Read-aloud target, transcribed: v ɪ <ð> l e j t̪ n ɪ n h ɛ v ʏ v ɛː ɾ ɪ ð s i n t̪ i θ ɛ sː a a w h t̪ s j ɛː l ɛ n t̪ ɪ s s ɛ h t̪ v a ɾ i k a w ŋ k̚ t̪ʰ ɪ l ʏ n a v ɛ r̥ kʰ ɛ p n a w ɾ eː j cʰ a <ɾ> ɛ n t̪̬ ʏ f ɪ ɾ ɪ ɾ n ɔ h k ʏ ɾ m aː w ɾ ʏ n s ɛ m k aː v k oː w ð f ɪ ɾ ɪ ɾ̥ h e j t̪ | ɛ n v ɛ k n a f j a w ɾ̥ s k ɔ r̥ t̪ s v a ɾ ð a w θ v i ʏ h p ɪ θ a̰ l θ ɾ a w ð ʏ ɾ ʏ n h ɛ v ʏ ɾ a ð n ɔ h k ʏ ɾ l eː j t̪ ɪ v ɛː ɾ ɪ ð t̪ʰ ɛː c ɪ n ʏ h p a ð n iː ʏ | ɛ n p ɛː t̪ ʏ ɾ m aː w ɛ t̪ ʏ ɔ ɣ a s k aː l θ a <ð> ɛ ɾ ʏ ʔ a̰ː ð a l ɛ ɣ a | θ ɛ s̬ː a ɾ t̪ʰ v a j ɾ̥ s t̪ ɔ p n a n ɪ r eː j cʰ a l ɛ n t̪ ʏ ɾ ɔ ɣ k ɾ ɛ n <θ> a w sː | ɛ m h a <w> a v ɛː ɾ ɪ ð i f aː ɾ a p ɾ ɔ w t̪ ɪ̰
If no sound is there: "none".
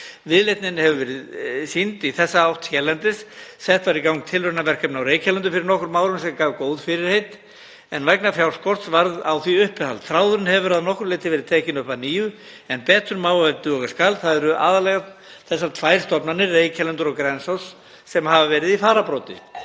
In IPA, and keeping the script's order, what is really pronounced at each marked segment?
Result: ð, l, ð, s, v

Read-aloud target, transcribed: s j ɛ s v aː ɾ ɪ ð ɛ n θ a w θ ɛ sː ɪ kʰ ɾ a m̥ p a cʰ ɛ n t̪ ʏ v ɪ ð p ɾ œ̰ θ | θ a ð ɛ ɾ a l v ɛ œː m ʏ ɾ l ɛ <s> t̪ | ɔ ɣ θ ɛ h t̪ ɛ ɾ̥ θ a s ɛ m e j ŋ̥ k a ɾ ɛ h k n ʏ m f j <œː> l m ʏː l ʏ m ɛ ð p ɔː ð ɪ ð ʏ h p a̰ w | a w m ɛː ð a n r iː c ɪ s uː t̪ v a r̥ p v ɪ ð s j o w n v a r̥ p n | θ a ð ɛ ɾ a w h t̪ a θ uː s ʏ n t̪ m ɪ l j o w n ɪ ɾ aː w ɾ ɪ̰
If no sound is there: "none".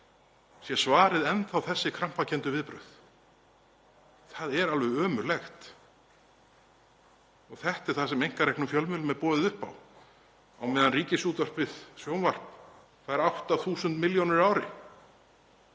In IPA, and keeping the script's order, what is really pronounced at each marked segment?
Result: x, œ

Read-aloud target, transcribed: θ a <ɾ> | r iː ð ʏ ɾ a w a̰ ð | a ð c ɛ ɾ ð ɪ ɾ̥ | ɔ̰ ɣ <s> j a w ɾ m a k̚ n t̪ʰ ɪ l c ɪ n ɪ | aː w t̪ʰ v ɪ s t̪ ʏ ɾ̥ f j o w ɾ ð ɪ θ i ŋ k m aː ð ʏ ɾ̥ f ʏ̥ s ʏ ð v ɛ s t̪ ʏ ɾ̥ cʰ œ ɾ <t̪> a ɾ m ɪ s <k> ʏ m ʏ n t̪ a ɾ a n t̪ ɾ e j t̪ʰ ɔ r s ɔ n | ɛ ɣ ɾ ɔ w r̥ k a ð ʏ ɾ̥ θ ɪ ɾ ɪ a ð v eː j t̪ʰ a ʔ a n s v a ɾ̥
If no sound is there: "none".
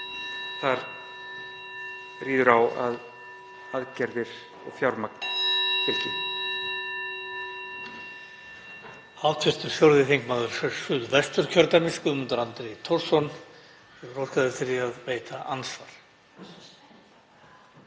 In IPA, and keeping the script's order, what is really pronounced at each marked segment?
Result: ɾ, f, t̪, k

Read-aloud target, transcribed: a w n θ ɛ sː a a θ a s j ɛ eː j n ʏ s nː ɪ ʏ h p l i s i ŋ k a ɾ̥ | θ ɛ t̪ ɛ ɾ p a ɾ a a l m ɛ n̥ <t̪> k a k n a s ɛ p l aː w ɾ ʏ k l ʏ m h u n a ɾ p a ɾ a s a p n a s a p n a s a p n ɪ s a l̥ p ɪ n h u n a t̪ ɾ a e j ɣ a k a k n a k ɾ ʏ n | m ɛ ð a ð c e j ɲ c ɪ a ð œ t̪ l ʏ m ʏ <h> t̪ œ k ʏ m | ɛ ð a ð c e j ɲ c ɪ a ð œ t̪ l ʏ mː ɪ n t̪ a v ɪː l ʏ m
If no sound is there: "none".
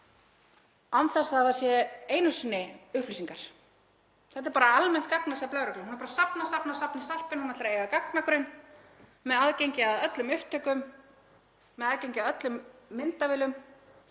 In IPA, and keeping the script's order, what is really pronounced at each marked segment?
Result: t̪, h

